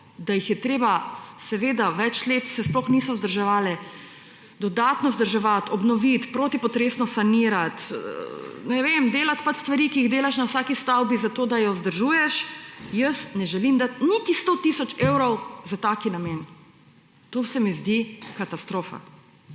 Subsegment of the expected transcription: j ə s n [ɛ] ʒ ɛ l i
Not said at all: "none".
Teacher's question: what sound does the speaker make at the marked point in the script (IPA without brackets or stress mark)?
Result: ɛ